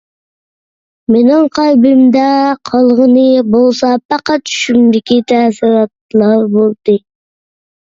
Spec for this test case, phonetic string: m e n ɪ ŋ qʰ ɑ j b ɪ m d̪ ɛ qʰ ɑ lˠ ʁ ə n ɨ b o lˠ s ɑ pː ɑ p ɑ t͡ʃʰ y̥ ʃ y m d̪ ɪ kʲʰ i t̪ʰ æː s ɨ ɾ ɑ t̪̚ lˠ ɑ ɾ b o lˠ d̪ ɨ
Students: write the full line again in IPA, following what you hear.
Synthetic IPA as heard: m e n ɪ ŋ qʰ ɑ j b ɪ m d̪ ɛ qʰ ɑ lˠ ʁ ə n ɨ b o lˠ s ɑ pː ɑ q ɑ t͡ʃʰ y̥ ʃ y m d̪ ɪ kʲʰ i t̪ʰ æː s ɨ ɾ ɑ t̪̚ lˠ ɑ ɾ b o lˠ d̪ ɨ

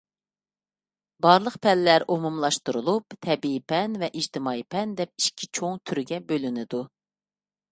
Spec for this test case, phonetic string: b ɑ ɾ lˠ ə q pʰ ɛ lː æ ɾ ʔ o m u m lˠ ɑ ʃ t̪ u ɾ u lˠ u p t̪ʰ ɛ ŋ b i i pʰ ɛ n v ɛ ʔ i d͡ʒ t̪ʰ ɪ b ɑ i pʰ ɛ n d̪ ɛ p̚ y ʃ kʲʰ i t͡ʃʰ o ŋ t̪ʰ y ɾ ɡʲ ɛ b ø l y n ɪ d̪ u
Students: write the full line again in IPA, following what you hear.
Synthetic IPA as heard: b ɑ ɾ lˠ ə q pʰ ɛ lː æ ɾ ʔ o m u m lˠ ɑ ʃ t̪ u ɾ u lˠ u p t̪ʰ ɛ b i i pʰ ɛ n v ɛ ʔ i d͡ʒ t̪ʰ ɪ m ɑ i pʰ ɛ n d̪ ɛ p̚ i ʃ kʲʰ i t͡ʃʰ o ŋ t̪ʰ y ɾ ɡʲ ɛ b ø l y n ɪ d̪ u

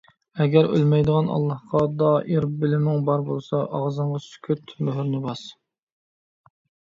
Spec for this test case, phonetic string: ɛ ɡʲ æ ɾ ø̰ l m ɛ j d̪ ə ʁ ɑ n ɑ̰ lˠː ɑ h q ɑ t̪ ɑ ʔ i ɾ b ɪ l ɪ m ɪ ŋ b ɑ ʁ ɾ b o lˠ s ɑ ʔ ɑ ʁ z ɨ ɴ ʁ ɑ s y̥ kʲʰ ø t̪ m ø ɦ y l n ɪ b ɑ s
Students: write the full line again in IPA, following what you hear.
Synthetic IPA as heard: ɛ ɡʲ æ ɾ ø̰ l m ɛ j d̪ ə ʁ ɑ n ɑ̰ lˠː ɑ h q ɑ d̪ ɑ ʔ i ɾ b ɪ l ɪ m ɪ ŋ b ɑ ɾ b o lˠ s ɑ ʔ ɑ ʁ z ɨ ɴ ʁ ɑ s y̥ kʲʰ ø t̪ m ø ɦ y ɾ n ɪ b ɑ s

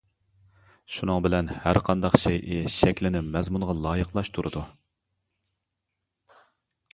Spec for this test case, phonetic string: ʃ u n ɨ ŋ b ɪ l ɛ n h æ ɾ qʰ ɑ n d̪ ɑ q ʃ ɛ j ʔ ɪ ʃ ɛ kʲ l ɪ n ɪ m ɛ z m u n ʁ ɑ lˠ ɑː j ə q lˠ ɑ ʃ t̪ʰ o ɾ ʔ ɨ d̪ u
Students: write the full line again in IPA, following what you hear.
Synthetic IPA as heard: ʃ u n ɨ ŋ b ɪ l ɛ n h æ ɾ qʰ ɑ n d̪ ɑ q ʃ ɛ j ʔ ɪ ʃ ɛ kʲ l ɪ n ɪ m ɛ z m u n ʁ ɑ lˠ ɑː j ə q lˠ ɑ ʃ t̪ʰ u ɾ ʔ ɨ d̪ u

